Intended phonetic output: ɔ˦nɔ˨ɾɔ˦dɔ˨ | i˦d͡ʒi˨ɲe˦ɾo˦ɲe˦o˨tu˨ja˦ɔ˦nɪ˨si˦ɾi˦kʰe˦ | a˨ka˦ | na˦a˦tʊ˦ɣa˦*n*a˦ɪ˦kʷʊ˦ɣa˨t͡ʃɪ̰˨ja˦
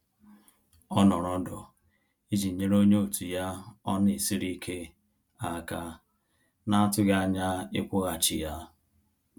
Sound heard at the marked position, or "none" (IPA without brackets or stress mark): ɲ